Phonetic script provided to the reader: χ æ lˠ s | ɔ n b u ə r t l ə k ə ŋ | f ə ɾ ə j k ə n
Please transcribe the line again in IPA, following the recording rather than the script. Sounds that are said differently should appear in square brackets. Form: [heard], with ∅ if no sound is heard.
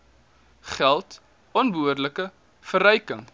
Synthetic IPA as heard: χ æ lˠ [t] | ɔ n b u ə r [d] l ə k ə [∅] | f ə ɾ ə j k ə [ŋ]